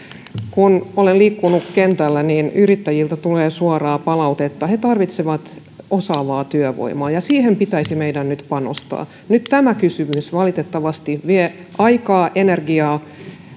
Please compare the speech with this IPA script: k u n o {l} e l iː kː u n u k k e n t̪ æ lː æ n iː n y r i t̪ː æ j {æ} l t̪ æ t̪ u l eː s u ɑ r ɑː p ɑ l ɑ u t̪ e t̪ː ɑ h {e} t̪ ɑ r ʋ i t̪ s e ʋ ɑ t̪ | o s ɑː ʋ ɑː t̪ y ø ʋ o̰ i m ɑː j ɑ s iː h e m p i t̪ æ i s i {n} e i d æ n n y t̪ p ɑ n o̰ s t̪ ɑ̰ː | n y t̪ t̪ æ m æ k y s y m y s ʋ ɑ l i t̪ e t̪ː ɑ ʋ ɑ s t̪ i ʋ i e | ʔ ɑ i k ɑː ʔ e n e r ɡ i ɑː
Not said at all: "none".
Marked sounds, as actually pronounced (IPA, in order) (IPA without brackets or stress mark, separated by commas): l, i, e, m